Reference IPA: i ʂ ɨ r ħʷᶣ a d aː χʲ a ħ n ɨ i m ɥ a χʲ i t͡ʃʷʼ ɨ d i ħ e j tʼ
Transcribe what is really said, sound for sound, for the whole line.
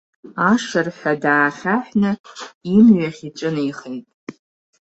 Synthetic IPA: a ʂ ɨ r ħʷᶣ a d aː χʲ a ħ n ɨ i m ɥ a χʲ i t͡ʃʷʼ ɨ n i χ e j tʼ